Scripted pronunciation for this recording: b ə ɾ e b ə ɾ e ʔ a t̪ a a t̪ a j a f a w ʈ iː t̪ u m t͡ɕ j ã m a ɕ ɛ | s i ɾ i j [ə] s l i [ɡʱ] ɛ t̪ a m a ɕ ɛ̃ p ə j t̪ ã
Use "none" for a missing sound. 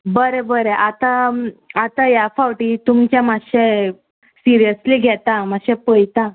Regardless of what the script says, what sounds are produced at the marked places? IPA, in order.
ə, ɡʱ

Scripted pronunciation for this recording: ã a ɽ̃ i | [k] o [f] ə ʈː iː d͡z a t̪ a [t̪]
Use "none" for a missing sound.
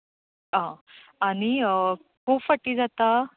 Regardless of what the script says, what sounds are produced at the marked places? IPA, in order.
k, f, none

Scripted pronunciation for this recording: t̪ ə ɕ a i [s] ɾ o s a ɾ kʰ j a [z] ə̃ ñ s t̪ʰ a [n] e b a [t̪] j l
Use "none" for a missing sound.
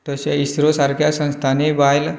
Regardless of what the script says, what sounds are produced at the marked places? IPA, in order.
s, s, n, none

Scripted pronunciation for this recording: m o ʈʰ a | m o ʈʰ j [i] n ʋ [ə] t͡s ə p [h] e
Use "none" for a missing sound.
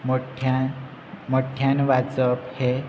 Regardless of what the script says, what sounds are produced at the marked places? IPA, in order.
a, a, h

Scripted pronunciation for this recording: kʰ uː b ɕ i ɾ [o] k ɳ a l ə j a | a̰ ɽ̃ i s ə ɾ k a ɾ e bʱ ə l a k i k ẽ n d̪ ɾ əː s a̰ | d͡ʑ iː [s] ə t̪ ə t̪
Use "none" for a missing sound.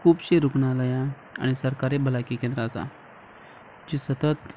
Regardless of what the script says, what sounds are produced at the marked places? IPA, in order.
u, s

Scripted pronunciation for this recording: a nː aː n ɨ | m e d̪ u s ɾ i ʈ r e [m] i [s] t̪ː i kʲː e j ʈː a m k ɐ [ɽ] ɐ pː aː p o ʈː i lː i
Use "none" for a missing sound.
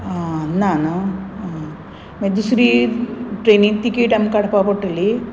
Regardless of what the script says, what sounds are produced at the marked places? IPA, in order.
n, none, ɽ

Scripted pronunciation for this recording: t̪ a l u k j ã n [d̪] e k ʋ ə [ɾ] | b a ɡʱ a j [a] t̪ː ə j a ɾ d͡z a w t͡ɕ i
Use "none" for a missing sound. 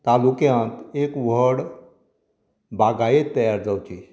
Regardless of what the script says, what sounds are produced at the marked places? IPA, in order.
t̪, ɽ, e

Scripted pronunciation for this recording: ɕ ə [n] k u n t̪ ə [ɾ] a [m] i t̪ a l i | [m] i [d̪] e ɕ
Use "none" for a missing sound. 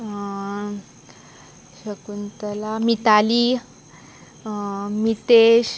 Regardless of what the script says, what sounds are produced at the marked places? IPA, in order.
none, l, m, m, t̪

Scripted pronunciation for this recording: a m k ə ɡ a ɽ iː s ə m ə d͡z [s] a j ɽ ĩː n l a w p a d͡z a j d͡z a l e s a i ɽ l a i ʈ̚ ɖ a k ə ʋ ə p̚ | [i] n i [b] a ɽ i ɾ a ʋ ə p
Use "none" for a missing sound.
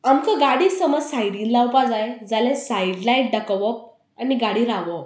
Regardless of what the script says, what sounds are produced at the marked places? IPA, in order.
s, a, ɡ

